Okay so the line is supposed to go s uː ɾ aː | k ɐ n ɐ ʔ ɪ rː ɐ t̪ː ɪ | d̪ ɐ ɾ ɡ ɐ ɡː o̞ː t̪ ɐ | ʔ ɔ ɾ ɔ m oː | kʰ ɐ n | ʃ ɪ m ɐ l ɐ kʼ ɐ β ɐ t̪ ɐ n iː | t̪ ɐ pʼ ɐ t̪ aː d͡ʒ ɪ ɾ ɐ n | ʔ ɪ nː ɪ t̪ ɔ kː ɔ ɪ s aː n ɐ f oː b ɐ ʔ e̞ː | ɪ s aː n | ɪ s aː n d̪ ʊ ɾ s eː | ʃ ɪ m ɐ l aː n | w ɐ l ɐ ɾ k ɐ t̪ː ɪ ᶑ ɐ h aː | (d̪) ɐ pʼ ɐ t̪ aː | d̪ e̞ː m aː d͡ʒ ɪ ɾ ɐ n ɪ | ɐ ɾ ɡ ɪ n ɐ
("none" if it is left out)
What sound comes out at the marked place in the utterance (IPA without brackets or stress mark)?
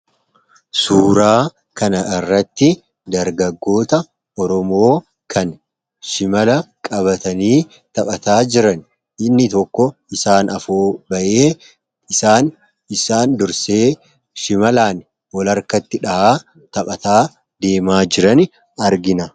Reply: t̪